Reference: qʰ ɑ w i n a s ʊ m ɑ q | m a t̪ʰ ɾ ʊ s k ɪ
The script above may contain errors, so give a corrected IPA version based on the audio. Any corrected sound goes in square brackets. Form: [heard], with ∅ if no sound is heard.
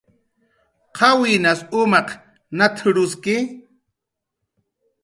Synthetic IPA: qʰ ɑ w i n a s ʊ m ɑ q | [n] a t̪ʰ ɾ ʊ s k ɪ